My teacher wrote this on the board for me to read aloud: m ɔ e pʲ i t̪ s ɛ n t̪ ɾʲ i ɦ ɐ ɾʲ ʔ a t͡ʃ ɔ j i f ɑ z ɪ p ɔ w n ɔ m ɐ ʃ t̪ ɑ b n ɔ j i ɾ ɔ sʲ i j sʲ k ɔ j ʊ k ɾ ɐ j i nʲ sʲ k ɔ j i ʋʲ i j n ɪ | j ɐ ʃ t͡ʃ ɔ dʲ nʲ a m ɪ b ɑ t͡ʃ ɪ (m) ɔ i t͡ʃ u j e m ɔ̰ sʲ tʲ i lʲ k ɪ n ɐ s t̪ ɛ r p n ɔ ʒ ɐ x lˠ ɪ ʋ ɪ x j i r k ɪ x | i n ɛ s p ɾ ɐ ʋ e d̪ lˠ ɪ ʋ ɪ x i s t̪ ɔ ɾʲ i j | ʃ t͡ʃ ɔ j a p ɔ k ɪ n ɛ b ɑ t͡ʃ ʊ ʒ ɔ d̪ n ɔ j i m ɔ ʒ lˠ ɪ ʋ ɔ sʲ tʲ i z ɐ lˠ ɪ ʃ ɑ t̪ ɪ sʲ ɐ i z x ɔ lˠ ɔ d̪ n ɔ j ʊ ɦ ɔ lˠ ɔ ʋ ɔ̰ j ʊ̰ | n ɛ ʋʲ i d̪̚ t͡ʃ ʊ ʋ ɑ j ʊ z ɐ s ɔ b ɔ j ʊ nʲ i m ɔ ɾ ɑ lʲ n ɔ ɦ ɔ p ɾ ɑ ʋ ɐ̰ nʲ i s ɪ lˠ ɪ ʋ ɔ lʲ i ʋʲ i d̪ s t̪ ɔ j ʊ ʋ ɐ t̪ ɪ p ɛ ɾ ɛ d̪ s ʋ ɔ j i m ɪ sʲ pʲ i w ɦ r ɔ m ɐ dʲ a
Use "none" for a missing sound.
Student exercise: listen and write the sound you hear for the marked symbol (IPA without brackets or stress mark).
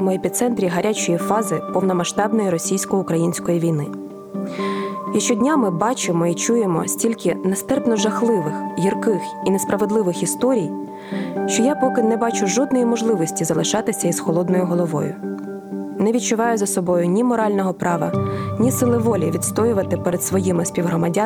m